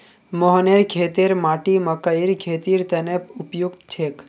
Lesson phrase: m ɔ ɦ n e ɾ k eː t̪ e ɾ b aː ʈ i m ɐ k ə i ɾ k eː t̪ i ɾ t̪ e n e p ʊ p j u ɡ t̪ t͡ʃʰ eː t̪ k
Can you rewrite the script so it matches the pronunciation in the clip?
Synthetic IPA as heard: m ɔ ɦ n e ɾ kʰ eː t̪ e ɾ m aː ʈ i m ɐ k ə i ɾ kʰ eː t̪ i ɾ t̪ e n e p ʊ p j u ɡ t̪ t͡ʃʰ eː k